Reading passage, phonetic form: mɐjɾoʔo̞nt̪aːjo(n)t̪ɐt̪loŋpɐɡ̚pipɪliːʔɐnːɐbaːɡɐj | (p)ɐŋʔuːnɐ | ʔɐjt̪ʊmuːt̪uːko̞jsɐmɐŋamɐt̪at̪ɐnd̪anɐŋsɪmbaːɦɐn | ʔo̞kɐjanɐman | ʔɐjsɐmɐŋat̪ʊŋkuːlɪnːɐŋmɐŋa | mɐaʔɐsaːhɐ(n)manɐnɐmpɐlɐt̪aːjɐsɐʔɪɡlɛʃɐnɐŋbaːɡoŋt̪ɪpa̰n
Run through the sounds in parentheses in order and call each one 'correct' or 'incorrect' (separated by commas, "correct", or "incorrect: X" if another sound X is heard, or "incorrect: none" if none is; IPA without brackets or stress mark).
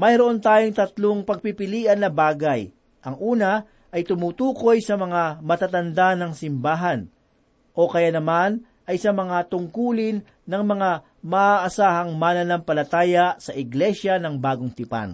incorrect: ŋ, incorrect: ʔ, incorrect: ŋ